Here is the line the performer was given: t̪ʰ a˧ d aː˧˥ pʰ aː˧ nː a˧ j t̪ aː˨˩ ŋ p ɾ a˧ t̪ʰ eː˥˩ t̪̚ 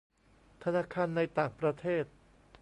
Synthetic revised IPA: t̪ʰ a˧ n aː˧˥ kʰ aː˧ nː a˧ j t̪ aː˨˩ ŋ p ɾ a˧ t̪ʰ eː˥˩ t̪̚